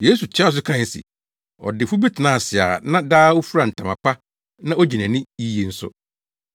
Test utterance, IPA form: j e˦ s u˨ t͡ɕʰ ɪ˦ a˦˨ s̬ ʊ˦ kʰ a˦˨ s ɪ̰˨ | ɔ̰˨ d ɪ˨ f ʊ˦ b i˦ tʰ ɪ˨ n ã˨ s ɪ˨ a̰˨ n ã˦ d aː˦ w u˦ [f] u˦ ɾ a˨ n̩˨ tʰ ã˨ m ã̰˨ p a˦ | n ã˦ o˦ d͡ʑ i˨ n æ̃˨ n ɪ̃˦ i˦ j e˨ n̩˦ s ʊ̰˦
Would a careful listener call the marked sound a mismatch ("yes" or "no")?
no